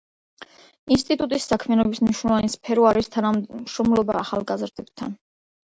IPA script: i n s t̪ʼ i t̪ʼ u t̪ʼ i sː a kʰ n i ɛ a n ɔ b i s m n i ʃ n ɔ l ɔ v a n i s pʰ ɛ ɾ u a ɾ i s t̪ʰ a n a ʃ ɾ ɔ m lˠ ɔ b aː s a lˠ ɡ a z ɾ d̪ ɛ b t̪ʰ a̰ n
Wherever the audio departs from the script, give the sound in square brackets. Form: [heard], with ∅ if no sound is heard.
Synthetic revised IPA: i n s t̪ʼ i t̪ʼ u t̪ʼ i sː a kʰ [m] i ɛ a n ɔ b i s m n i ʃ n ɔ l ɔ v a n i s pʰ ɛ ɾ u a ɾ i s t̪ʰ a n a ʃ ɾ ɔ m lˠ ɔ b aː [χ] a lˠ ɡ a z ɾ d̪ ɛ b t̪ʰ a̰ n